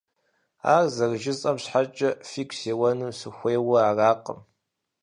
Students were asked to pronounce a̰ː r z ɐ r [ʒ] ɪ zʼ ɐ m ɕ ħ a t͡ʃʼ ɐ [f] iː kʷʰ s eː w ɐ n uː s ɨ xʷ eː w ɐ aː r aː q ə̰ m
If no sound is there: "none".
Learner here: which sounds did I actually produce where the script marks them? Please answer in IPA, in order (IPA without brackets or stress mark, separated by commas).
ʒ, f